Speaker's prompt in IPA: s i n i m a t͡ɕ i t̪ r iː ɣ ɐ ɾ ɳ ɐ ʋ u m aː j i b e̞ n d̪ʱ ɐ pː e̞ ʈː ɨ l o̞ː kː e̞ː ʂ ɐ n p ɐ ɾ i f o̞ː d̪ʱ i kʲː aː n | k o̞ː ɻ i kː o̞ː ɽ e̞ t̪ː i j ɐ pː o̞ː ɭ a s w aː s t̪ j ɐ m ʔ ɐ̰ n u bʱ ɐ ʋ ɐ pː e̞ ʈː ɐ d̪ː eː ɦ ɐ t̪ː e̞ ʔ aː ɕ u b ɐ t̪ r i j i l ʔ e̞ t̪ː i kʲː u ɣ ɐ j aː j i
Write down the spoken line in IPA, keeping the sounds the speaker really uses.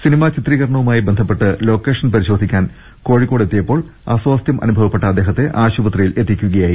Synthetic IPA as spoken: s i n i m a t͡ɕ i t̪ r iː ɣ ɐ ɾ ɳ ɐ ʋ u m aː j i b e̞ n d̪ʱ ɐ pː e̞ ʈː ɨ l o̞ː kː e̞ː ʂ ɐ n p ɐ ɾ i ɕ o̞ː d̪ʱ i kʲː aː n | k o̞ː ɻ i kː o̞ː ɽ e̞ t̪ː i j ɐ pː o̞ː ɭ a s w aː s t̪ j ɐ m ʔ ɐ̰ n u bʱ ɐ ʋ ɐ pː e̞ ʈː ɐ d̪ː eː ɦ ɐ t̪ː e̞ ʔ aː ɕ u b ɐ t̪ r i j i l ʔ e̞ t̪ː i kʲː u ɣ ɐ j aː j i